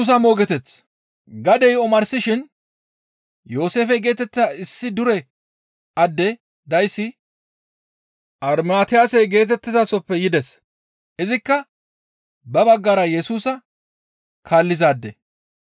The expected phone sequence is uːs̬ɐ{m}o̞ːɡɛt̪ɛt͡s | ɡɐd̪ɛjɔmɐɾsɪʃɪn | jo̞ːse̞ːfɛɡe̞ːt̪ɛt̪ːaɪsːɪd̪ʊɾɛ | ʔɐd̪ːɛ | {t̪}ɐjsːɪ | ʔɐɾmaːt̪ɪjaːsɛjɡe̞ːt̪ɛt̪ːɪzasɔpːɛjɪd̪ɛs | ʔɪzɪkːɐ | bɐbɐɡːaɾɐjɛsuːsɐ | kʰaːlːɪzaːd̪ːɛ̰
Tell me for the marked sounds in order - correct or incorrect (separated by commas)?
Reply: correct, incorrect